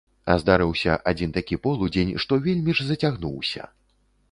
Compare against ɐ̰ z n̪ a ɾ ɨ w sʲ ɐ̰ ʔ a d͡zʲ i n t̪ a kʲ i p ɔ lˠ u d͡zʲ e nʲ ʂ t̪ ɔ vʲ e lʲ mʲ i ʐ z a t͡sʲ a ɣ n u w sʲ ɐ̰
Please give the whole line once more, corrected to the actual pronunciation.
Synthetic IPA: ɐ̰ z d̪ a ɾ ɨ w sʲ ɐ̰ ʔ a d͡zʲ i n t̪ a kʲ i p ɔ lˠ u d͡zʲ e nʲ ʂ t̪ ɔ vʲ e lʲ mʲ i ʐ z ɐ t͡sʲ a ɣ n u w sʲ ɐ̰